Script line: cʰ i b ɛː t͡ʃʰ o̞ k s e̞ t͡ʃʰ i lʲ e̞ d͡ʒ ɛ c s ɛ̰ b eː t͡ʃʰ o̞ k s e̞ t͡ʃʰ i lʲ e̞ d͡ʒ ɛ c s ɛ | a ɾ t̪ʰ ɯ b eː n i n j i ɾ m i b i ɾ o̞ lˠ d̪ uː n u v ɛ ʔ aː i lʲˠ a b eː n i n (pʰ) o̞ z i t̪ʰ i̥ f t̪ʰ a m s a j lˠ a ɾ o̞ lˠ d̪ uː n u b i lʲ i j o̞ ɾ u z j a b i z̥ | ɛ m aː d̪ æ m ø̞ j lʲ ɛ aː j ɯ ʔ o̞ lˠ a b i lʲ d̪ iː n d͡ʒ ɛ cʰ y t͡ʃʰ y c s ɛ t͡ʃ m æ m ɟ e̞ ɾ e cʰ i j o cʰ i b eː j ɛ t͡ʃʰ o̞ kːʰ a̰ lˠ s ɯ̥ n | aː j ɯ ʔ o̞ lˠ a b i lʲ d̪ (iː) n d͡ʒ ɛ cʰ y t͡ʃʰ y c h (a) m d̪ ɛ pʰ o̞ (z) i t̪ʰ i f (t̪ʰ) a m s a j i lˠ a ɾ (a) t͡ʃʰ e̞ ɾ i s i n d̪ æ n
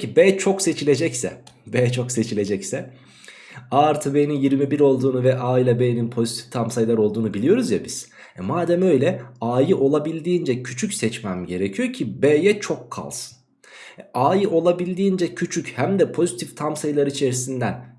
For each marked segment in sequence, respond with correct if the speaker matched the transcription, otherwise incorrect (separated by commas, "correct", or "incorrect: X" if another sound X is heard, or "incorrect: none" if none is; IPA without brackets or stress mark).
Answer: correct, correct, incorrect: æ, correct, correct, incorrect: i